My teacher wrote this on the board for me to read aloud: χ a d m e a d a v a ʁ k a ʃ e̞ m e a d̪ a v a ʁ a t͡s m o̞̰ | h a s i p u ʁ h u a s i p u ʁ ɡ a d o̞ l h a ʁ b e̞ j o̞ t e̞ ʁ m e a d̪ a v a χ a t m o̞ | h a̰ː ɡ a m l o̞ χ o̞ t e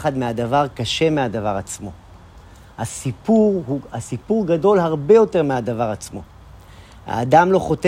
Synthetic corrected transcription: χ a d m e a d a v a ʁ k a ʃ e̞ m e a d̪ a v a ʁ a t͡s m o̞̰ | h a s i p u ʁ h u a s i p u ʁ ɡ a d o̞ l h a ʁ b e̞ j o̞ t e̞ ʁ m e a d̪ a v a ʁ a t͡s m o̞ | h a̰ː d a m l o̞ χ o̞ t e